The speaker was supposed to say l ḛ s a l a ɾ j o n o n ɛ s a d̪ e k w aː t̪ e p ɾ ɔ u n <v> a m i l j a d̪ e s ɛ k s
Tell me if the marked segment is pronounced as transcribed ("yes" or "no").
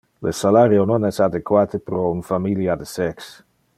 no